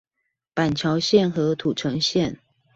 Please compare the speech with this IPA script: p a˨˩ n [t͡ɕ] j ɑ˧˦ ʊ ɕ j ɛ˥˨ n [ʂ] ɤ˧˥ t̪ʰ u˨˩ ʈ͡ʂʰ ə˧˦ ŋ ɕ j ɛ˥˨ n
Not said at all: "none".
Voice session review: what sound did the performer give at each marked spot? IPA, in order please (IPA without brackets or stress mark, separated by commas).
t͡ɕʰ, x